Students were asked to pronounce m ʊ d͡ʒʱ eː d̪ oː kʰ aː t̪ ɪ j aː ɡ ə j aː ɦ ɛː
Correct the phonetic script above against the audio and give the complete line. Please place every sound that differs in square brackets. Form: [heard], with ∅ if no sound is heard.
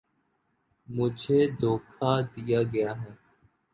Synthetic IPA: m ʊ d͡ʒʱ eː d̪ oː kʰ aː [d̪] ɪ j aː ɡ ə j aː ɦ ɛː